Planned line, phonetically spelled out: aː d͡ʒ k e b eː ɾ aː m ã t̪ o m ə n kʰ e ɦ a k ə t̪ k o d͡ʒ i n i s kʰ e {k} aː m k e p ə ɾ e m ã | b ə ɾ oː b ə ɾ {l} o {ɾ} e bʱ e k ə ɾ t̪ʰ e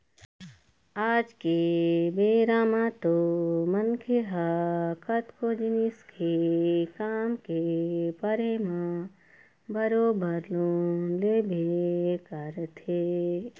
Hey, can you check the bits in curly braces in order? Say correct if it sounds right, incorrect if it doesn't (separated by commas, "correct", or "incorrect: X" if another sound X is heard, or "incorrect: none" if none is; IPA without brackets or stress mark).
correct, correct, incorrect: l